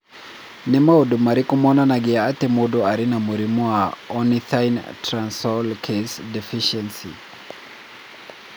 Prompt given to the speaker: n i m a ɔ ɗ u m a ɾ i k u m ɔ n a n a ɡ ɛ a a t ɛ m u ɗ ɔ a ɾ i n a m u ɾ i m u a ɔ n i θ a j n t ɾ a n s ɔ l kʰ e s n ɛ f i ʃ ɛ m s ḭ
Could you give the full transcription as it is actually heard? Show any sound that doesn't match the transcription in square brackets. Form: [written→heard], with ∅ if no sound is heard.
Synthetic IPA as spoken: n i m a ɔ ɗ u m a ɾ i k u m ɔ n a n a ɡ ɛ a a t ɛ m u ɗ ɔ a ɾ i n a m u ɾ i m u a ɔ n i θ a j n t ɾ a n s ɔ l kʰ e s [n→d] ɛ f i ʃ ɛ [m→n] s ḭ